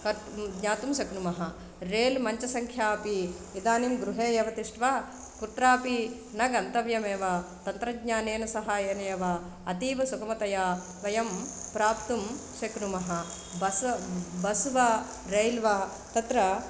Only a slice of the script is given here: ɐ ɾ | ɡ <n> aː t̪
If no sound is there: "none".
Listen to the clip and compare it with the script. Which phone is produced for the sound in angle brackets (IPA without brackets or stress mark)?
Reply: ɲ